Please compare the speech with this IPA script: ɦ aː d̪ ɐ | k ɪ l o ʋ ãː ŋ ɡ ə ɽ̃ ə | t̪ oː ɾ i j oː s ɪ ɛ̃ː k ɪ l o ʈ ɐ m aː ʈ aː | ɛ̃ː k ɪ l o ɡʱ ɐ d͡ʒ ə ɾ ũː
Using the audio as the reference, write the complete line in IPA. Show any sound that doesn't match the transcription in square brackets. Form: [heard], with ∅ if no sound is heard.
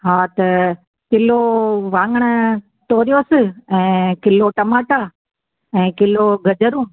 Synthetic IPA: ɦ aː [t̪] ɐ | k ɪ l o ʋ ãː ŋ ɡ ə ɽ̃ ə | t̪ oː ɾ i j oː s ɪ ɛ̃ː k ɪ l o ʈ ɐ m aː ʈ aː | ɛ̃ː k ɪ l o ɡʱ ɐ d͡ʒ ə ɾ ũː